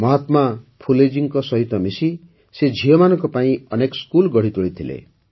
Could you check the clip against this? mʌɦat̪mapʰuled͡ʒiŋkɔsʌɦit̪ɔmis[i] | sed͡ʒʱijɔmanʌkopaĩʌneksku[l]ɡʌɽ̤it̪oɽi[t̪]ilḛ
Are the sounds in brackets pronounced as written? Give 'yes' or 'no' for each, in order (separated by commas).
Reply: yes, yes, no